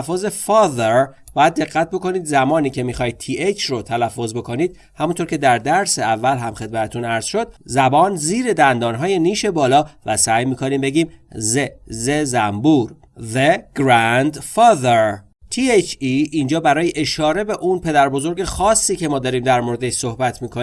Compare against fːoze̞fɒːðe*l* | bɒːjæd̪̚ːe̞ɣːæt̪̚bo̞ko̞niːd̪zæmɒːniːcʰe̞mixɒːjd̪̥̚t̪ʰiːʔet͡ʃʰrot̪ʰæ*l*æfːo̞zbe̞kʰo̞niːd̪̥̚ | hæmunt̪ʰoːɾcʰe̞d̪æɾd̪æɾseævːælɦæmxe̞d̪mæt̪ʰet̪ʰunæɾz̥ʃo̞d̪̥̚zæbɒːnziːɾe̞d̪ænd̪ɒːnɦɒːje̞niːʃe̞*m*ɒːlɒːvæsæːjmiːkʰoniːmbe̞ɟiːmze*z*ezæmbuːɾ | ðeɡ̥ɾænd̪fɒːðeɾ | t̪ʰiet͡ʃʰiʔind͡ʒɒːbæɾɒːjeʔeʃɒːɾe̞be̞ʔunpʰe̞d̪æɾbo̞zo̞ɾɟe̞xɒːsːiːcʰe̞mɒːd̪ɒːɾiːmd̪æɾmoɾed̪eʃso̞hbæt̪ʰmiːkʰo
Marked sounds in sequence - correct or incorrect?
incorrect, correct, incorrect, correct

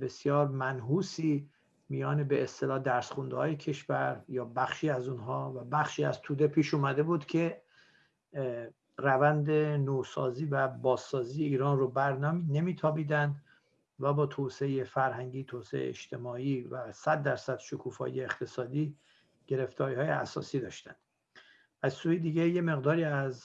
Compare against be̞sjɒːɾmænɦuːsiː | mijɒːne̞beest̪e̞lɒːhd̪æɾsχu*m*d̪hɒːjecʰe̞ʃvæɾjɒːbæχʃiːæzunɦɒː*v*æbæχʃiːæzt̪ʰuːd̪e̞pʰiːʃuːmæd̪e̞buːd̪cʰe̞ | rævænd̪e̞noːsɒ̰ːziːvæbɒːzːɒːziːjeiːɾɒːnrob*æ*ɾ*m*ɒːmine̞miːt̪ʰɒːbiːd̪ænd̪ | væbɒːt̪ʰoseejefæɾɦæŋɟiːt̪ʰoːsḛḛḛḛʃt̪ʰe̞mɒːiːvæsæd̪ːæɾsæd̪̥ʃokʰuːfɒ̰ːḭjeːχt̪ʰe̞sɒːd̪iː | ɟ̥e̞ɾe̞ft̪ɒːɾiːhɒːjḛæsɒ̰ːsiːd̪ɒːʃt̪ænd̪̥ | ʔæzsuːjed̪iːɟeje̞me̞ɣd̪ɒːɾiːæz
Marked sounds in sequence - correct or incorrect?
incorrect, correct, correct, incorrect

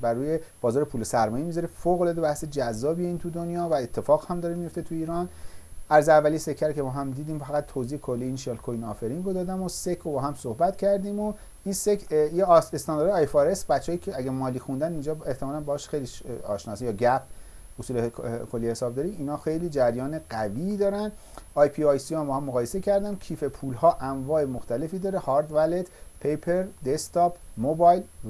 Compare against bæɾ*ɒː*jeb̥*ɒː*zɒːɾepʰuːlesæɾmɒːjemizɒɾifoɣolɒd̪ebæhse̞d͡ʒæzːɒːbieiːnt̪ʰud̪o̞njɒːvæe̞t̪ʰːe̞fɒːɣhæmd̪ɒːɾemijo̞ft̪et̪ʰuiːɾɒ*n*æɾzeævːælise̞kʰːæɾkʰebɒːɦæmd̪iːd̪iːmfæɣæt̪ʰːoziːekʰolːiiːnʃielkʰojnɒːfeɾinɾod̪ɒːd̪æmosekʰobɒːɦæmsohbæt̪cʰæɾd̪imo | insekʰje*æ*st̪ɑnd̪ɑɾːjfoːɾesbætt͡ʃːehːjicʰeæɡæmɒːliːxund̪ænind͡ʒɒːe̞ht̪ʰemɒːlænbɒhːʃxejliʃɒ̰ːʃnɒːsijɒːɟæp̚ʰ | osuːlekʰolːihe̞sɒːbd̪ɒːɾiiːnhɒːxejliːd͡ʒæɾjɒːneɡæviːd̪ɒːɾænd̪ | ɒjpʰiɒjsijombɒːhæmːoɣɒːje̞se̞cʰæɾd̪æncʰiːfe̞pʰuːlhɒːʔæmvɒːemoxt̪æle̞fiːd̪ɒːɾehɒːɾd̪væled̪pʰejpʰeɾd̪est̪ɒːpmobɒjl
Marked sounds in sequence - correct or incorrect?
incorrect, correct, correct, incorrect

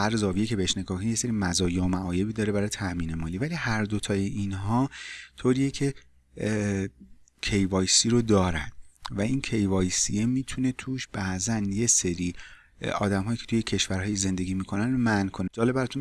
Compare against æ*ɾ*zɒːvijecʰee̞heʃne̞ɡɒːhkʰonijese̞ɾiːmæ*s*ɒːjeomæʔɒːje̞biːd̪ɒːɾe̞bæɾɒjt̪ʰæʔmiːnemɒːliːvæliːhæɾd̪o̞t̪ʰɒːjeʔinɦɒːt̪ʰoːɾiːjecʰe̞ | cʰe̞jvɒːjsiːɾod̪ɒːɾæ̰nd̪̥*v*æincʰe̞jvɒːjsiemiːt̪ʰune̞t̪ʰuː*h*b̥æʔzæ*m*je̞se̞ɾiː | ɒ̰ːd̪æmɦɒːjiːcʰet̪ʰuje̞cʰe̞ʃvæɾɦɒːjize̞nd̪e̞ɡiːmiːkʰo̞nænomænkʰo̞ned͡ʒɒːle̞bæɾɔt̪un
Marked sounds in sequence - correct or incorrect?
correct, incorrect, correct, incorrect, incorrect

